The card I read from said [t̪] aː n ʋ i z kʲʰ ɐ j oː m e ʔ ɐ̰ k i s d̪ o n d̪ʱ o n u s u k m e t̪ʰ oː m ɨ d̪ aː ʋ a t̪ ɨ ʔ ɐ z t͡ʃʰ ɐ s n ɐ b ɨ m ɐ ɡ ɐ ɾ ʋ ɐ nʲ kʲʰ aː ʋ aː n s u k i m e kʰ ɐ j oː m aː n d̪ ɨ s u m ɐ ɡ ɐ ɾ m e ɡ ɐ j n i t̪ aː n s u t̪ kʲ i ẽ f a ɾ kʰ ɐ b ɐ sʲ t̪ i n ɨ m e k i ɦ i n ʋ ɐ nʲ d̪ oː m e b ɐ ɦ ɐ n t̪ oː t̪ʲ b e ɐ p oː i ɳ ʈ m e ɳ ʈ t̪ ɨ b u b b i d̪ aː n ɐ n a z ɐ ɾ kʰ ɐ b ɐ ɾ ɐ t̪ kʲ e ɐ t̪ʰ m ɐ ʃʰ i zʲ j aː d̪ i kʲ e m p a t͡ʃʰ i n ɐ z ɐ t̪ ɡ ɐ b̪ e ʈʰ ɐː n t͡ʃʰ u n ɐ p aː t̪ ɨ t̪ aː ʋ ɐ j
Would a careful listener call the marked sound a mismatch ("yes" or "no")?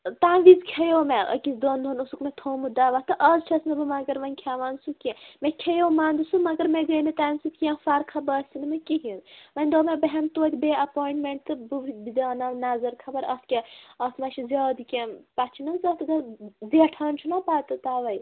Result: no